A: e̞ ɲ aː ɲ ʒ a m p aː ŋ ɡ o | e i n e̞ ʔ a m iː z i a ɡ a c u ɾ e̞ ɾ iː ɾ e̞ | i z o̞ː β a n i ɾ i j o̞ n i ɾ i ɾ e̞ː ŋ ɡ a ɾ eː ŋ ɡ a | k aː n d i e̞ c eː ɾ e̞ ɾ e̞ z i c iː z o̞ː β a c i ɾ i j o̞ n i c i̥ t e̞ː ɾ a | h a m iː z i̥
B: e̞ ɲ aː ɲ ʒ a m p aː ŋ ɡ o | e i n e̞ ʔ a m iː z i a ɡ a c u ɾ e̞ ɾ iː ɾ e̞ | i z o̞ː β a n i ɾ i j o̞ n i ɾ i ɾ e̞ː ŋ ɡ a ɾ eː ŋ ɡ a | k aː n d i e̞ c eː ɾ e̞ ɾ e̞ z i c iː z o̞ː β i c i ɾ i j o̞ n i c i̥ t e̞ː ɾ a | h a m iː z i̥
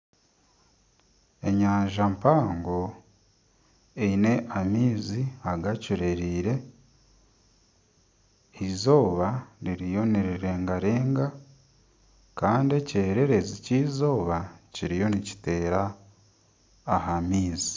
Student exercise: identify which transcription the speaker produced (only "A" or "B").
A